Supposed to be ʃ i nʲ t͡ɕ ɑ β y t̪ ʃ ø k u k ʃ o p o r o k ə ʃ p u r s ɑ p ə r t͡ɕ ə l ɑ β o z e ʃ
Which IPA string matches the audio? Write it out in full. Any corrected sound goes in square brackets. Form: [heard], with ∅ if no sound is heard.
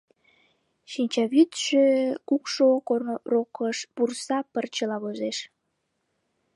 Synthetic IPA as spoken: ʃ i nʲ t͡ɕ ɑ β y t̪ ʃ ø k u k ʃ o [k] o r o k ə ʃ p u r s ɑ p ə r t͡ɕ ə l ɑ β o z e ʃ